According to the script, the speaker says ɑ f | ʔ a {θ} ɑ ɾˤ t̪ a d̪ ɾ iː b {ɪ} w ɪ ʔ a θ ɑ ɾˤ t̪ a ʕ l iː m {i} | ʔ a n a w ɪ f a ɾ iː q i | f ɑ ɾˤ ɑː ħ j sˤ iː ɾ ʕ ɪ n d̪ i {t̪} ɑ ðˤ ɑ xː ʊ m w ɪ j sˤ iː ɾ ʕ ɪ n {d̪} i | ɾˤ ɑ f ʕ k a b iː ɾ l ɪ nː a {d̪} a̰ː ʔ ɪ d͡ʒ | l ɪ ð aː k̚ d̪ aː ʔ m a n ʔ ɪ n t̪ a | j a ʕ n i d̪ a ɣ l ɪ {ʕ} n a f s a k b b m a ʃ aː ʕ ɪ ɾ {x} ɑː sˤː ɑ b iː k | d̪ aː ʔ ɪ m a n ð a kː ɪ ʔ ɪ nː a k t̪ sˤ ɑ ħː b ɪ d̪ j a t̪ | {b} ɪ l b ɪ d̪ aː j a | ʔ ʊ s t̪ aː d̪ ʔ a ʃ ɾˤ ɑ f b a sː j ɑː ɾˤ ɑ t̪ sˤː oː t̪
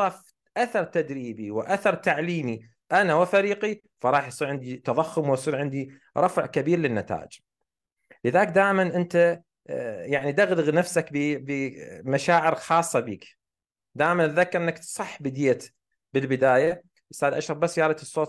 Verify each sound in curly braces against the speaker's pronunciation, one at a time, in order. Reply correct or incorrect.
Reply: correct, incorrect, correct, correct, correct, incorrect, incorrect, correct, correct

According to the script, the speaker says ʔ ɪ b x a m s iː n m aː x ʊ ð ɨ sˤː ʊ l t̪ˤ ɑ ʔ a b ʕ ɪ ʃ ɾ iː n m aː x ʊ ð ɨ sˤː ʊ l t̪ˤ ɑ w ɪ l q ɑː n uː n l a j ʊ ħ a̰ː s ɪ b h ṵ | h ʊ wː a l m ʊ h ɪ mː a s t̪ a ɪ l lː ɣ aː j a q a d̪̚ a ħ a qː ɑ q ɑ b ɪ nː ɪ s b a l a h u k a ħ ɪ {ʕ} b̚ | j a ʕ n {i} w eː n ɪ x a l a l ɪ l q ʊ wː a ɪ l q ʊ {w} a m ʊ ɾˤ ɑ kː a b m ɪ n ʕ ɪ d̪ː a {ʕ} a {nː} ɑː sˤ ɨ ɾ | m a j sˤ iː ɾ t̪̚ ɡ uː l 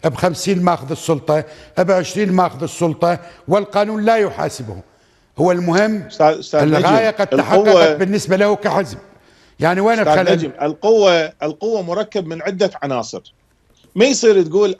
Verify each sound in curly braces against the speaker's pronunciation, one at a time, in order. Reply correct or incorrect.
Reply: incorrect, correct, incorrect, correct, incorrect

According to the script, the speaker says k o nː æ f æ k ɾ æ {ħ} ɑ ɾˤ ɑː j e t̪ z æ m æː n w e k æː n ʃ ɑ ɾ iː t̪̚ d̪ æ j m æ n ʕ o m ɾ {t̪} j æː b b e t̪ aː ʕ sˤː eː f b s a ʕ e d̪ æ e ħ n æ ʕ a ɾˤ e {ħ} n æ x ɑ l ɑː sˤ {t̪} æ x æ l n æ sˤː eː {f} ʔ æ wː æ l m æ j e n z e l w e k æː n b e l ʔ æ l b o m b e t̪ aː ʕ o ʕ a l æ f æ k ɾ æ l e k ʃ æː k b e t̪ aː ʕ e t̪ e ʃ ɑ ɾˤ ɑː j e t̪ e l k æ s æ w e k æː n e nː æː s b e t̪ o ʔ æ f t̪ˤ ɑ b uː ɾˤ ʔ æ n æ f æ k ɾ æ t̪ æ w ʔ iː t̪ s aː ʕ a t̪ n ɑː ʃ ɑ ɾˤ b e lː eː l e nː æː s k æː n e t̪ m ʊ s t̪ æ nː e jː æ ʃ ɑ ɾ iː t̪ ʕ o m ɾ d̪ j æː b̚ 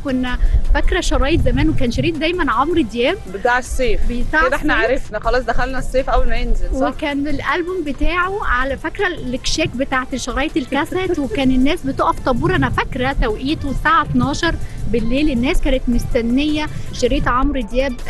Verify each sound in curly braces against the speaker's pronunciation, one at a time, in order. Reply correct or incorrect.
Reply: incorrect, incorrect, incorrect, incorrect, correct

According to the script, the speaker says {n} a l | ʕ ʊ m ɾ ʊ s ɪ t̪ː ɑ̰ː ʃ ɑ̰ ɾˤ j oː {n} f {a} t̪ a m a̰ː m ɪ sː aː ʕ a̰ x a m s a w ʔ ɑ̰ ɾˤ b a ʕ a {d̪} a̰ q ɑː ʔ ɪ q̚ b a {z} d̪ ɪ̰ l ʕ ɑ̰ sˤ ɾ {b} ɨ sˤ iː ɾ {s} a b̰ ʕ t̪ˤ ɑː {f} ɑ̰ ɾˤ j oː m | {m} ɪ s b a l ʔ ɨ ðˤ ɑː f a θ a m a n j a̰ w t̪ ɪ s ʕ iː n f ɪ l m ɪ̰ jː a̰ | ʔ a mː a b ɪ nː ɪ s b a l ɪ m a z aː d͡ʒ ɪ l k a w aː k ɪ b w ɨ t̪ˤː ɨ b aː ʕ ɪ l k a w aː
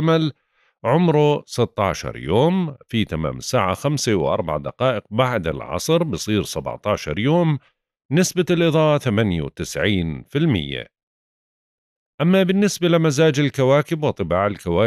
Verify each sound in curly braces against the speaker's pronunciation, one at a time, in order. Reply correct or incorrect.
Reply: incorrect, incorrect, incorrect, correct, incorrect, correct, correct, incorrect, incorrect

